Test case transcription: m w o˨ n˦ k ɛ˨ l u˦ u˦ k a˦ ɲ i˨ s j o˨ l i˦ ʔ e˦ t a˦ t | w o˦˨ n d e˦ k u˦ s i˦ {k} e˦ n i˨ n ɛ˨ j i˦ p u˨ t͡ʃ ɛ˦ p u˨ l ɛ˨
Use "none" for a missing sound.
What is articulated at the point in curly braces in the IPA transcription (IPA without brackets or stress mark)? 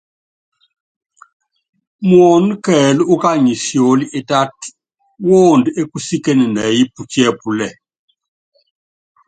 k